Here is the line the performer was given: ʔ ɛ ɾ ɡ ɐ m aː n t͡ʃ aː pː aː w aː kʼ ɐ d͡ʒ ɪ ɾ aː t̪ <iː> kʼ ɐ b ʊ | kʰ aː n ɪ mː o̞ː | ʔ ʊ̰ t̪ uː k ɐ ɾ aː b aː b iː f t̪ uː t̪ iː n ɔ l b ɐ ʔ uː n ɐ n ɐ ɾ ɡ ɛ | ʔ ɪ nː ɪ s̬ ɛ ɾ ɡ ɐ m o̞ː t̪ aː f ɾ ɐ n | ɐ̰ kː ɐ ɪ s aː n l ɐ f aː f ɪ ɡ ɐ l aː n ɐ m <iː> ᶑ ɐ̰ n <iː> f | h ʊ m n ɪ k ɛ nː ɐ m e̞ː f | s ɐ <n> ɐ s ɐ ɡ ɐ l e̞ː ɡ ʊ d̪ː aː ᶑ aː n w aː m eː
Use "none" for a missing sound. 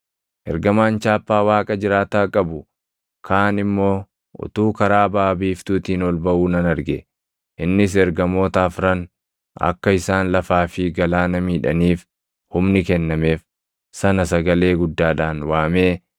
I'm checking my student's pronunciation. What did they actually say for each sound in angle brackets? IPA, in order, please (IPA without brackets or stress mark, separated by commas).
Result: aː, iː, iː, n